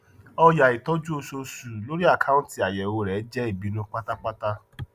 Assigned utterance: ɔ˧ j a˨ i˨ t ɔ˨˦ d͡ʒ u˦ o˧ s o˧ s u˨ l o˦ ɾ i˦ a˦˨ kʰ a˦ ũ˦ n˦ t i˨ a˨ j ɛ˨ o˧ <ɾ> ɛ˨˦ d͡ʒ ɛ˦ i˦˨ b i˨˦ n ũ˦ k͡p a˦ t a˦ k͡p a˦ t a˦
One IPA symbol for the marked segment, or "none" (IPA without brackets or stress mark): ɾ